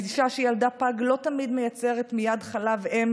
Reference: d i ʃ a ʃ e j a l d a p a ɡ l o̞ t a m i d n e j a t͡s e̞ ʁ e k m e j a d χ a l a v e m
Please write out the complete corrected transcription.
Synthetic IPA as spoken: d i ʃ a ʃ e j a l d a p a ɡ l o̞ t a m i d m e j a t͡s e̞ ʁ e t m i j a d χ a l a v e m